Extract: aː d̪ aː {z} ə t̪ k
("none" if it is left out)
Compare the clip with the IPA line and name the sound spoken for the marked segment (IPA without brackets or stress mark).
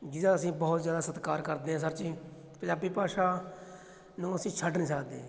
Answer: s